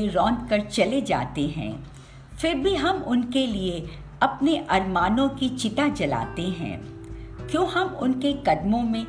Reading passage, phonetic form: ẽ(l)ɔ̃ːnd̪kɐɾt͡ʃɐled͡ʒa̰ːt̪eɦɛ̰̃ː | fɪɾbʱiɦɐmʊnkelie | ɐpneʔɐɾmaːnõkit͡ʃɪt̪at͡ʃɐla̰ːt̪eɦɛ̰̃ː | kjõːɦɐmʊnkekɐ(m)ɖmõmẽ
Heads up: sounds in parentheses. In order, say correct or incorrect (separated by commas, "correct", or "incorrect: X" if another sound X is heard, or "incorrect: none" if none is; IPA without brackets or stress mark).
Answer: incorrect: ɾ, incorrect: none